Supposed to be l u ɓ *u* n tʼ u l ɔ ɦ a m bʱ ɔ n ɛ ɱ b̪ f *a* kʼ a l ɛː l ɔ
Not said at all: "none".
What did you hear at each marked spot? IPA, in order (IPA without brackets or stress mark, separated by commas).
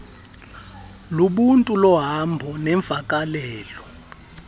u, a